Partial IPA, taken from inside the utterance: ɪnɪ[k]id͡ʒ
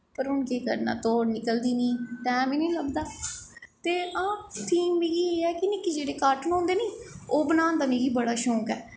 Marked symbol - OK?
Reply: yes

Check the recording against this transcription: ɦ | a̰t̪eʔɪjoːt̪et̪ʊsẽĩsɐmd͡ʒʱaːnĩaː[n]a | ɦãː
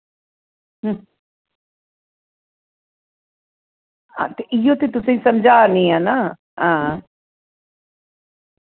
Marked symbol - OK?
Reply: yes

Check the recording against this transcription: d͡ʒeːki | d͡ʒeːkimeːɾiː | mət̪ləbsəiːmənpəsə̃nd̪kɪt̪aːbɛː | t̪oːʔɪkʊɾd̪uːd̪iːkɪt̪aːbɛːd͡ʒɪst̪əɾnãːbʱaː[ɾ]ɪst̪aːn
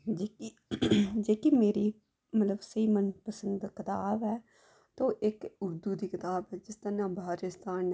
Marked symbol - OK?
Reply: yes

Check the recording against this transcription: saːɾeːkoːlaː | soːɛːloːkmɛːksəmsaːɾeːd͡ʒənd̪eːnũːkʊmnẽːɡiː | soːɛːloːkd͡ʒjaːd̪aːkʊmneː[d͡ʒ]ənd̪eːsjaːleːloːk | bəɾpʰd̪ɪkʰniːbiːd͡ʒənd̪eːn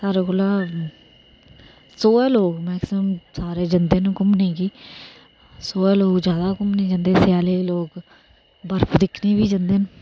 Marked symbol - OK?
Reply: yes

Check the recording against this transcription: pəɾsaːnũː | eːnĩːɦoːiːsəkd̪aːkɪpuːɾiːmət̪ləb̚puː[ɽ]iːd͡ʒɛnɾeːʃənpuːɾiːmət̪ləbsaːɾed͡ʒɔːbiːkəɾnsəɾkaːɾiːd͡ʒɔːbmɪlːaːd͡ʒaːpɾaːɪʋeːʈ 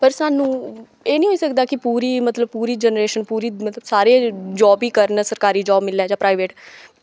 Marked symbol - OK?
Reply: no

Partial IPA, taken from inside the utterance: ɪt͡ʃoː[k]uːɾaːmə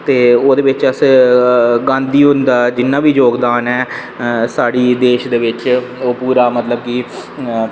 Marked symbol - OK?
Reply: no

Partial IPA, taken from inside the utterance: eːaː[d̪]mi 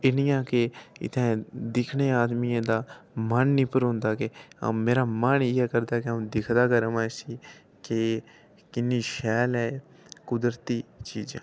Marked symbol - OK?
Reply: yes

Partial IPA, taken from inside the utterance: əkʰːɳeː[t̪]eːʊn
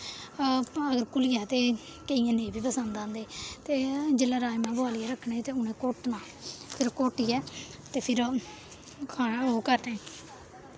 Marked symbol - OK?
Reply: yes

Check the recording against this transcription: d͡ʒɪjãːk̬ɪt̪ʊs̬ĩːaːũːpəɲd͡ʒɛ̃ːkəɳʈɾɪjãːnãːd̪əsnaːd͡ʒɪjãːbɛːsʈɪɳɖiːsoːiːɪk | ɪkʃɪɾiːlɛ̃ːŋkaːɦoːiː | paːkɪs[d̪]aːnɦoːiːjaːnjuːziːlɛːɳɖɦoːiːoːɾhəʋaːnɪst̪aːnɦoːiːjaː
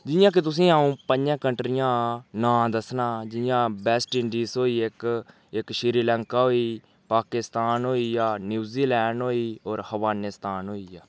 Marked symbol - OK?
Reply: no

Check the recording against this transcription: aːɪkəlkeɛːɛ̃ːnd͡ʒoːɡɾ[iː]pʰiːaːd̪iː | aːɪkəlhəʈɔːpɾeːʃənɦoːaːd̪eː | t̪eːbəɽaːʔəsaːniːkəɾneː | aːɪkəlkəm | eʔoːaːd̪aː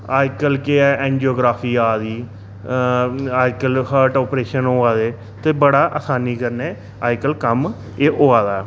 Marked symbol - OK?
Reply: no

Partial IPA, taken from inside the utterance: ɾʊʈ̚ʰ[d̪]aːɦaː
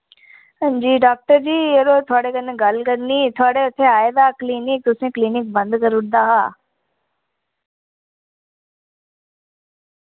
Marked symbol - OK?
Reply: yes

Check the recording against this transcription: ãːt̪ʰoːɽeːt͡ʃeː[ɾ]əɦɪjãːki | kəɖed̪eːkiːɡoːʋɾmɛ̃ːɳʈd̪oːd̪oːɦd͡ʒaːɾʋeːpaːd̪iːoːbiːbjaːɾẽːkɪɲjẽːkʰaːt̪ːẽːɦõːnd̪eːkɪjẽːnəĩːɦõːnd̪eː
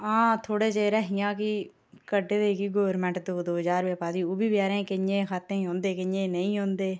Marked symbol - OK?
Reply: yes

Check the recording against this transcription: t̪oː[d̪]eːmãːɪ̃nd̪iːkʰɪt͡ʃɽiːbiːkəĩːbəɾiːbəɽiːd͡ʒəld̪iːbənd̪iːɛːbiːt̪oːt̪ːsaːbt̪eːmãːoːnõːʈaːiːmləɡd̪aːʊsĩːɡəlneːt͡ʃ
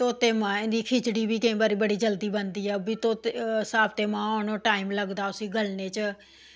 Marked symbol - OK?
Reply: no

